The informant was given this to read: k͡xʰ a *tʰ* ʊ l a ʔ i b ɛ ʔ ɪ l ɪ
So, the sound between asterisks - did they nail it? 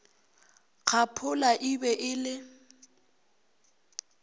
no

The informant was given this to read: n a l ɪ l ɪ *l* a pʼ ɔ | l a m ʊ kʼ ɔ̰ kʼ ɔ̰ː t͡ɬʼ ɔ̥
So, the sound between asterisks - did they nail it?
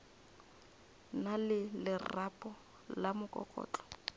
no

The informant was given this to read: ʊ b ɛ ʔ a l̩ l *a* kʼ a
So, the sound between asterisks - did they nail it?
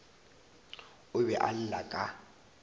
yes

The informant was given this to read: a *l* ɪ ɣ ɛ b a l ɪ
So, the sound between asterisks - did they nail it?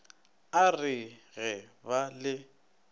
no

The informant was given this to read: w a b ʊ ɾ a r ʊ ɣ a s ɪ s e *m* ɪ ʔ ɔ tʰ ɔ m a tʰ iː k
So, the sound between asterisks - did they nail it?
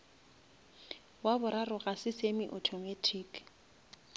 yes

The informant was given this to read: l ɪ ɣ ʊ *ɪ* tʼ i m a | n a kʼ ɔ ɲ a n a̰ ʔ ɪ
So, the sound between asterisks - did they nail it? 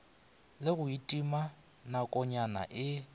no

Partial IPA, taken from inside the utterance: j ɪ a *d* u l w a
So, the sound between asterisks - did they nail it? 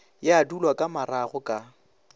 yes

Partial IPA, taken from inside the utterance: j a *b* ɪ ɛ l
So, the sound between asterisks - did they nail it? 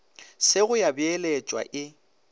yes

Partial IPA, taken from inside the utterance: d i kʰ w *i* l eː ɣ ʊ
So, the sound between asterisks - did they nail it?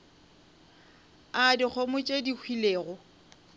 yes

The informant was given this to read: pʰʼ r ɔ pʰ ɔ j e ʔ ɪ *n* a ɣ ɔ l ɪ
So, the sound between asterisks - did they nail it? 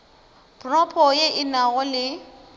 yes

